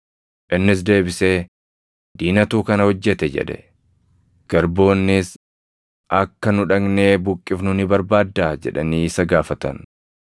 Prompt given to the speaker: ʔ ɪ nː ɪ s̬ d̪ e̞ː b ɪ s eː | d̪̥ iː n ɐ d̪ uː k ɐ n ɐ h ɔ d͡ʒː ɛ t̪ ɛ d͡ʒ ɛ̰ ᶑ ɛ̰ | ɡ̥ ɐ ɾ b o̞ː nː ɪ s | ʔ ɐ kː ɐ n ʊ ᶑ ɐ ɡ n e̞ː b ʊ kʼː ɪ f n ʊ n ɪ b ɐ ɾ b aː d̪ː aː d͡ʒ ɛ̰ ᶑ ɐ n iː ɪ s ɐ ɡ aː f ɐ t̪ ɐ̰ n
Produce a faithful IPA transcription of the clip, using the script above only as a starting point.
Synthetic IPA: ʔ ɪ nː ɪ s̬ d̪ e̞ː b ɪ s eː | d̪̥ iː n ɐ t̪ uː k ɐ n ɐ h ɔ d͡ʒː ɛ t̪ ɛ d͡ʒ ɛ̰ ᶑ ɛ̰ | ɡ̥ ɐ ɾ b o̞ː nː ɪ s | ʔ ɐ kː ɐ n ʊ ᶑ ɐ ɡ n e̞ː b ʊ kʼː ɪ f n ʊ n ɪ b ɐ ɾ b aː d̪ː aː d͡ʒ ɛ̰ ᶑ ɐ n iː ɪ s ɐ ɡ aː f ɐ t̪ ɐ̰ n